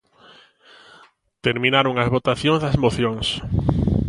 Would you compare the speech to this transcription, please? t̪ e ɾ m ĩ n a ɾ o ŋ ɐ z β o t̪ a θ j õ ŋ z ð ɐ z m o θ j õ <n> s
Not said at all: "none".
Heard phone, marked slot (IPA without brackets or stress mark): ŋ